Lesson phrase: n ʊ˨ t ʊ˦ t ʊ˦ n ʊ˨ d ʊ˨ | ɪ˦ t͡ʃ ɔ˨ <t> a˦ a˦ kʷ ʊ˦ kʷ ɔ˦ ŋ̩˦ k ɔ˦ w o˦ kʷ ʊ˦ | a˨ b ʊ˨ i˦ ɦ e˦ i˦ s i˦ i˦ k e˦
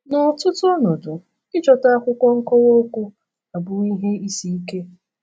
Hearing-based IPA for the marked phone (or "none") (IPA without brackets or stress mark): t